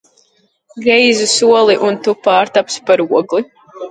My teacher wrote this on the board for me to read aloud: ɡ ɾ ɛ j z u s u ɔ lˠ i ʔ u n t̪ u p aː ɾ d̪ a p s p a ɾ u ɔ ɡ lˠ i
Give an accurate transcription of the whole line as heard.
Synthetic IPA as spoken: ɡ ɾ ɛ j z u s u ɔ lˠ i ʔ u n t̪ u p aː ɾ t̪ a p s p a ɾ u ɔ ɡ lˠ i